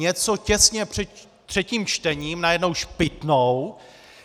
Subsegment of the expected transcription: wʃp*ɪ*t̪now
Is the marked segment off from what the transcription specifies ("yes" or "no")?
no